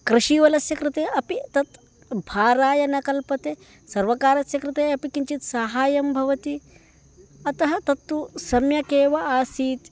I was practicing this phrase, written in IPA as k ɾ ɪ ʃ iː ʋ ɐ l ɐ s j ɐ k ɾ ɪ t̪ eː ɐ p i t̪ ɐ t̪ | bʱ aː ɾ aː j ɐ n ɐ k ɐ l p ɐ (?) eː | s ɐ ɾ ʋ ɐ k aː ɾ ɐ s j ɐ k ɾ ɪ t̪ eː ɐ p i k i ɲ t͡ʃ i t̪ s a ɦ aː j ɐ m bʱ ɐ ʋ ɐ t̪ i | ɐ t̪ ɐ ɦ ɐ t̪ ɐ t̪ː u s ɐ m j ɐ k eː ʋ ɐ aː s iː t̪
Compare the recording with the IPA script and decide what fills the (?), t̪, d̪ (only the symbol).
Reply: t̪